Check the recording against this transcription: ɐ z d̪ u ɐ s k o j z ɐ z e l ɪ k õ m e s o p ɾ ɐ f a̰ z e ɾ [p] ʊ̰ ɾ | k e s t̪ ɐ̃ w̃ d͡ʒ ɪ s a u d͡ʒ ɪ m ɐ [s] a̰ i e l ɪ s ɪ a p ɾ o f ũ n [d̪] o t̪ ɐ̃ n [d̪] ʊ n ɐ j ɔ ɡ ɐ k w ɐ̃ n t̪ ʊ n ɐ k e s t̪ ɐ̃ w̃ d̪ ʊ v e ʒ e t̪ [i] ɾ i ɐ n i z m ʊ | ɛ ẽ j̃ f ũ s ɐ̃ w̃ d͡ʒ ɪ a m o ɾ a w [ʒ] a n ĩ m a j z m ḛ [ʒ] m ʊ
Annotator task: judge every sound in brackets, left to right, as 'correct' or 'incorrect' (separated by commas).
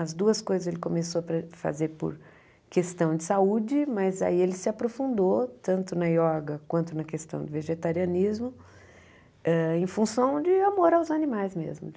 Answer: correct, incorrect, correct, incorrect, incorrect, incorrect, incorrect